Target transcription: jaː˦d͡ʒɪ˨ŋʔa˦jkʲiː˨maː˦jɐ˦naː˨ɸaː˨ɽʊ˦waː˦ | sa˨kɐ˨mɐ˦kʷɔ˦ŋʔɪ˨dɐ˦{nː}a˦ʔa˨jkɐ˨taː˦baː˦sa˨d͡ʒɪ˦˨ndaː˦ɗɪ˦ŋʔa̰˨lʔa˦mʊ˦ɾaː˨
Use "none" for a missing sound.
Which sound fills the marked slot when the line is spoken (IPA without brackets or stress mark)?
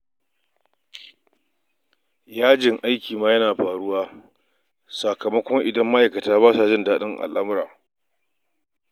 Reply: mː